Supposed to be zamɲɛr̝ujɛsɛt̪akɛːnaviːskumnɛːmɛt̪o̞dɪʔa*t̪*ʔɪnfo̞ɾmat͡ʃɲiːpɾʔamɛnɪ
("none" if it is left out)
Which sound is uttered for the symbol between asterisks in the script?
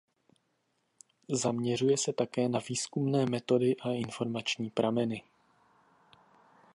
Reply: none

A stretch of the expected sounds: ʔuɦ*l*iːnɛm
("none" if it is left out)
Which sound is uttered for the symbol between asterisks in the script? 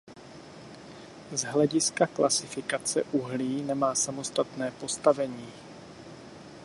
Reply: l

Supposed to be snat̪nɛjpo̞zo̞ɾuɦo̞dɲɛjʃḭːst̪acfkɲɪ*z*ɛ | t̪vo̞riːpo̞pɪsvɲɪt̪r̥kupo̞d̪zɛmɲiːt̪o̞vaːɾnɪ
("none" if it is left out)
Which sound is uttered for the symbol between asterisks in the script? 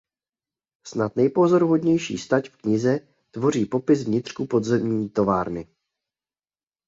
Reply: z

